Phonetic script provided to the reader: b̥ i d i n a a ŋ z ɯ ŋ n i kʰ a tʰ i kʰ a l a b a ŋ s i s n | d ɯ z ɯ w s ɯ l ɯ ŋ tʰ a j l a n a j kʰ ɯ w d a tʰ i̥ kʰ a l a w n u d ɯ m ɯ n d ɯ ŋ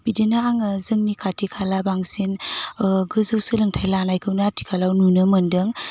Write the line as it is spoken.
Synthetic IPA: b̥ i d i n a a ŋ z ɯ ŋ n i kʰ a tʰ i kʰ a l a b a ŋ s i n | ɡ ɯ z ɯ w s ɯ l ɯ ŋ tʰ a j l a n a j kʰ ɯ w n a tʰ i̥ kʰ a l a w n u n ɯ m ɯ n d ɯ ŋ